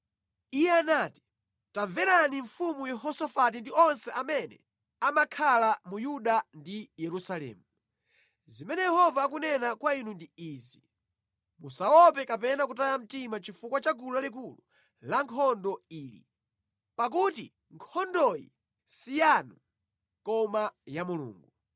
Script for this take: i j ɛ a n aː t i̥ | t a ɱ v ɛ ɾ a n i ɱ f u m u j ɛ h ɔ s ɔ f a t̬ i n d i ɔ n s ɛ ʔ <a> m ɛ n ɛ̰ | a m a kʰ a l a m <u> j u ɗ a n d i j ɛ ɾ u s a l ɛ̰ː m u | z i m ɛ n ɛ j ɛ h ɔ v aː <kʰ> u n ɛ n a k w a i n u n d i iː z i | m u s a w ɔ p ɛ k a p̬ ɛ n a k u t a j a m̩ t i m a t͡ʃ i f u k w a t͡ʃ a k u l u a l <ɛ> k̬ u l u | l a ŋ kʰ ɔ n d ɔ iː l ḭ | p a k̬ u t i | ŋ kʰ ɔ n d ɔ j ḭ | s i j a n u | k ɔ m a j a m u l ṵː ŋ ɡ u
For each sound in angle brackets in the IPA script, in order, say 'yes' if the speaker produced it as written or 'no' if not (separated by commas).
yes, yes, no, no